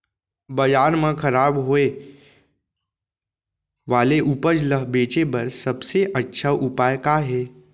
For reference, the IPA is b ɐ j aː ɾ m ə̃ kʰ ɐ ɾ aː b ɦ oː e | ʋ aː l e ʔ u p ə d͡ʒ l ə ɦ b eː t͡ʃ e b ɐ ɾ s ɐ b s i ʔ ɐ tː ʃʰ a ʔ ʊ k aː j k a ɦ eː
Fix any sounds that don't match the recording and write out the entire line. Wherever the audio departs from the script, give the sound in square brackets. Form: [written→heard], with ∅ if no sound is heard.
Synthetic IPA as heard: b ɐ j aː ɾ m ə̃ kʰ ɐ ɾ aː b ɦ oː e | ʋ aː l e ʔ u p ə d͡ʒ l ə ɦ b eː t͡ʃ e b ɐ ɾ s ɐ b s [i→e] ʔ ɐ tː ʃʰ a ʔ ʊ [k→p] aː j k a ɦ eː